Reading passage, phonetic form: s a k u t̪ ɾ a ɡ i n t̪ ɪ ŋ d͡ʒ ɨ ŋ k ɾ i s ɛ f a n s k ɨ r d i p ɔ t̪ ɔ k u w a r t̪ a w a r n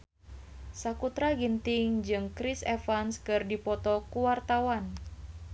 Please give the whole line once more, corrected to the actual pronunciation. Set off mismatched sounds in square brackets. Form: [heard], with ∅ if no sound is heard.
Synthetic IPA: s a k u t̪ ɾ a ɡ i n t̪ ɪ ŋ d͡ʒ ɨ ŋ k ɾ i s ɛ f a n s k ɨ r d i p ɔ t̪ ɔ k u w a r t̪ a w a [∅] n